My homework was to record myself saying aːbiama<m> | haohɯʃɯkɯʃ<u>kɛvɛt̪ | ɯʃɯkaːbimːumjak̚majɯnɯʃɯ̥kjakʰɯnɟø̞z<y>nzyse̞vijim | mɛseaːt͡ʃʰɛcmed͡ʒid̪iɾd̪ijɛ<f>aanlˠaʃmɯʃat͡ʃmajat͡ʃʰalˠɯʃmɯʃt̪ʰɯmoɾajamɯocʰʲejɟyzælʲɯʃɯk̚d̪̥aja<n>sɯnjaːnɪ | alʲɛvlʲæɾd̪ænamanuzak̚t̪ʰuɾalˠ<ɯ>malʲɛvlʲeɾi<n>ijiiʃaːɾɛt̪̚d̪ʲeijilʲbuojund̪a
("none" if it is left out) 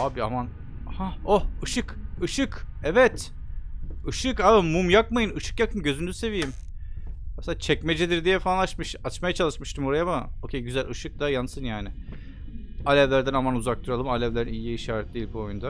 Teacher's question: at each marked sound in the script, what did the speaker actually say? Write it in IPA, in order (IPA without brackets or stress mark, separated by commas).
n, ɯ, y, f, n, ɯ, n